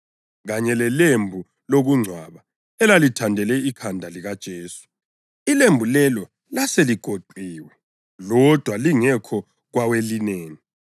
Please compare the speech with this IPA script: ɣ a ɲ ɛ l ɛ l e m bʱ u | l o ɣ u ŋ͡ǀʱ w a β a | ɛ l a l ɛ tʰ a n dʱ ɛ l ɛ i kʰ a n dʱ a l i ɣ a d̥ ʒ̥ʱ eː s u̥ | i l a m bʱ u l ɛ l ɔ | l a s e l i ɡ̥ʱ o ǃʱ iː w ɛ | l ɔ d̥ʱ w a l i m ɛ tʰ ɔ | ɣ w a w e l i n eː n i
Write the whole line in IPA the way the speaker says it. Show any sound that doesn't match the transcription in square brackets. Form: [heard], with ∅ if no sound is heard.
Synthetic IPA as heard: ɣ a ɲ ɛ l ɛ l e m bʱ u | l o ɣ u ŋ͡ǀʱ w a β a | ɛ l a l [i] tʰ a n dʱ ɛ l ɛ i kʰ a n dʱ a l i ɣ a d̥ ʒ̥ʱ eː s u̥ | i l [e] m bʱ u l ɛ l ɔ | l a s e l i ɡ̥ʱ o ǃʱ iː w ɛ | l ɔ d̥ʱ w a l i [ŋ] ɛ [kʰ] ɔ | ɣ w a w e l i n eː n i